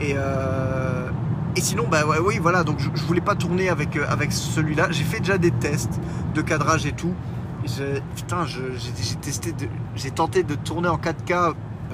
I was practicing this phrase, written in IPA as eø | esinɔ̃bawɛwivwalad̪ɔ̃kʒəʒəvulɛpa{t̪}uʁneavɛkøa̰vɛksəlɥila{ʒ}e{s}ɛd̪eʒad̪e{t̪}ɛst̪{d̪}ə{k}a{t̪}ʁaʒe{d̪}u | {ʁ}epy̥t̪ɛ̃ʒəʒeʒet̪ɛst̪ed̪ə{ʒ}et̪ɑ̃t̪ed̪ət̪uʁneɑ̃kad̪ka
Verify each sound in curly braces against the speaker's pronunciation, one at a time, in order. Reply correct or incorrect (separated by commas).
correct, correct, incorrect, correct, correct, correct, incorrect, incorrect, incorrect, correct